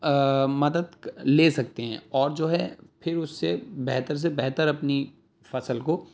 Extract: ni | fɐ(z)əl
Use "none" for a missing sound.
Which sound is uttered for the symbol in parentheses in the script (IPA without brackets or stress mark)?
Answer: s